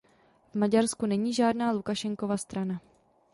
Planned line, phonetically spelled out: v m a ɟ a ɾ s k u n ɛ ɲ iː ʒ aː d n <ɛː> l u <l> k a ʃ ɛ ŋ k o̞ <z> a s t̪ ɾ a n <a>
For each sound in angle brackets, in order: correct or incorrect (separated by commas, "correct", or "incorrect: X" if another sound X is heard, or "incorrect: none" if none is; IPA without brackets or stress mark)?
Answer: incorrect: aː, incorrect: none, incorrect: v, correct